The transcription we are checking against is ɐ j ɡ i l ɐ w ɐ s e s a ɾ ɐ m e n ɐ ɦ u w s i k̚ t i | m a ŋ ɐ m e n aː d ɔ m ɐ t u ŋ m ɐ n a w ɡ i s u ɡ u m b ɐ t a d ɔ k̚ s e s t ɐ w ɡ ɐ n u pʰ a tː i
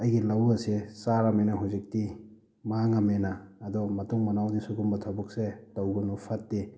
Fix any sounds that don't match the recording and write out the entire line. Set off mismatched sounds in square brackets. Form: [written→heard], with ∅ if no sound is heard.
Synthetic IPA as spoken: ɐ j ɡ i l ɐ w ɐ s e s a ɾ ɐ m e n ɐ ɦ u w [s→z] i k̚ t i | m a ŋ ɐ m e n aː d ɔ m ɐ t u ŋ m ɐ n a w [ɡ→d] i s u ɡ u m b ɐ [t→tʰ] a [d→b] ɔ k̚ s e [s→∅] t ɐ w ɡ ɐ n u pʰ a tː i